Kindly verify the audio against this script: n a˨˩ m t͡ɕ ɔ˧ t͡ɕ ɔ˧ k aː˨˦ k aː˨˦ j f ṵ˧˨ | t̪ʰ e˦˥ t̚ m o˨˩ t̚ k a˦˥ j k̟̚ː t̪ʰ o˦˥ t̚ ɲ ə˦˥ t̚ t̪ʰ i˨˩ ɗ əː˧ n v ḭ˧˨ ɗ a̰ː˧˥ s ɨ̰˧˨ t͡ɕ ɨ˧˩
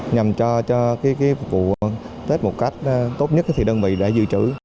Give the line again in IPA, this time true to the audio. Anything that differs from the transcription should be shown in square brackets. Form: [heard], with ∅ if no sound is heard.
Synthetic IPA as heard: [ɲ] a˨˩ m t͡ɕ ɔ˧ t͡ɕ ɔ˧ k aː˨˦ k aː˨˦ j [v] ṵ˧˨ | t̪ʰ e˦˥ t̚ m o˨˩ t̚ k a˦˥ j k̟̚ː [t̪] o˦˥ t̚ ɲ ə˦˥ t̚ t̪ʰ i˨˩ ɗ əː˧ n v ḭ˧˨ ɗ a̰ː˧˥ [z] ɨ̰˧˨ t͡ɕ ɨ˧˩